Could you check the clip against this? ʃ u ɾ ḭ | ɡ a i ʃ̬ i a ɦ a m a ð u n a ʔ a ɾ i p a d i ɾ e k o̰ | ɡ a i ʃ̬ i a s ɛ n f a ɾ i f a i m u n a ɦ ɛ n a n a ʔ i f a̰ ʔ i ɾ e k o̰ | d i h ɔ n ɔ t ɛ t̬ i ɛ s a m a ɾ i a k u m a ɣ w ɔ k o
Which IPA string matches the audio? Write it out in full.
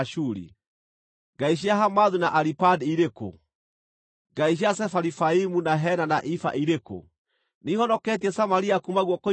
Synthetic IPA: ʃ u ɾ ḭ | ɡ a i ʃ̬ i a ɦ a m a ð u n a ʔ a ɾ i p a d i ɾ e k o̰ | ɡ a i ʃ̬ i a s ɛ f a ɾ i f a i m u n a ɦ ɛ n a n a ʔ i f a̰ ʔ i ɾ e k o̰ | n i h ɔ n ɔ k ɛ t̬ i ɛ s a m a ɾ i a k u m a ɣ w ɔ k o